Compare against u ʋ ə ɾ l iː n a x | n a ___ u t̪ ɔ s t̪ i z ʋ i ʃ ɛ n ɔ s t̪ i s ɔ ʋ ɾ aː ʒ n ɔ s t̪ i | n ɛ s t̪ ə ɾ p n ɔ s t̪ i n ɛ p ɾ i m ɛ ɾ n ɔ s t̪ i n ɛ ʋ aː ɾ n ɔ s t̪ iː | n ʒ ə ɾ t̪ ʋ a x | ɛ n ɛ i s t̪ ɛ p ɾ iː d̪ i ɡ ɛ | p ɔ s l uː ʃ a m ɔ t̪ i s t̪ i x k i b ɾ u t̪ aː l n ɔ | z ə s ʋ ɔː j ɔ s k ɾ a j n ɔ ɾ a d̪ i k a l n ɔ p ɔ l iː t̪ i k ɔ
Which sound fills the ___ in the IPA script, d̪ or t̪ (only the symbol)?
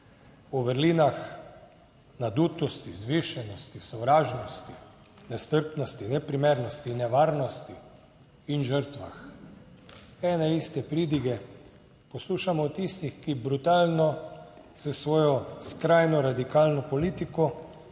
d̪